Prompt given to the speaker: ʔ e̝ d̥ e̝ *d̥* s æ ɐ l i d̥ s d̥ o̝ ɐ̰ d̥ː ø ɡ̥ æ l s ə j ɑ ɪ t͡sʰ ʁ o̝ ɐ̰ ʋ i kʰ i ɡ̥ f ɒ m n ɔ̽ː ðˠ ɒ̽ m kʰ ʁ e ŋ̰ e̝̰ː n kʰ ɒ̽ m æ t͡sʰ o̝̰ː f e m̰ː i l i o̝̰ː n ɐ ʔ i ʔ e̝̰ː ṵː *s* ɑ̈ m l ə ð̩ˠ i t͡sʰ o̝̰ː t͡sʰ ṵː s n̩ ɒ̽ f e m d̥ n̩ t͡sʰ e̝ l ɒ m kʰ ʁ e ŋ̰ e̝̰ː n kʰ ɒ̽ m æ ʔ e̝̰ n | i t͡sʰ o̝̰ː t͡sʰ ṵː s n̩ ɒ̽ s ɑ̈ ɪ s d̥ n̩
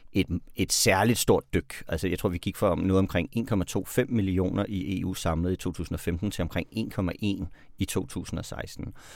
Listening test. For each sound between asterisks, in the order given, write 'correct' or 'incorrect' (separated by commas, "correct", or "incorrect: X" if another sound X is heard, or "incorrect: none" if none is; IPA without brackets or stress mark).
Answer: correct, correct